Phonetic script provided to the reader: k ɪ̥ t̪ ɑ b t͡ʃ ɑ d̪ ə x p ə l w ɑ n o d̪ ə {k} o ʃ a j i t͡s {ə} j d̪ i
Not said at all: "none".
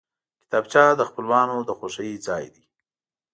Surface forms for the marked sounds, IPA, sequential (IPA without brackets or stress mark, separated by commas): x, ɑ